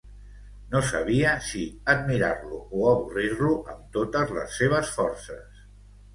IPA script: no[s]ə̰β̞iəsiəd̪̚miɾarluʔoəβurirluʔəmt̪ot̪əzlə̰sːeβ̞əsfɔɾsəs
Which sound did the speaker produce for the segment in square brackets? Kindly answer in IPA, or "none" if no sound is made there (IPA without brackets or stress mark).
s